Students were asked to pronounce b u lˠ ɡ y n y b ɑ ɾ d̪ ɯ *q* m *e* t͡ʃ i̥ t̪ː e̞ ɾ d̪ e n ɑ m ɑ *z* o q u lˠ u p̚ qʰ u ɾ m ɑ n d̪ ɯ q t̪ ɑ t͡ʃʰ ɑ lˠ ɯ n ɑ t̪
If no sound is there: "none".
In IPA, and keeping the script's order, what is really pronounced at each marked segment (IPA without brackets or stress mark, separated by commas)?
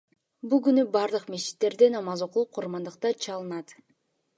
q, e, z